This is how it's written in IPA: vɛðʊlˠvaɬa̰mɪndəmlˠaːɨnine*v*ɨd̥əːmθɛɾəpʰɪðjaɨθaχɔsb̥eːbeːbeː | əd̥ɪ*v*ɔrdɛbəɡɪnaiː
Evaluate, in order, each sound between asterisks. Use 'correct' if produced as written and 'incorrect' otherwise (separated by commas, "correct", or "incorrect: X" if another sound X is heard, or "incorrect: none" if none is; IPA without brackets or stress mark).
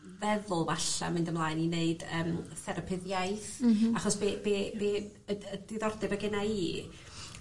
incorrect: none, incorrect: ð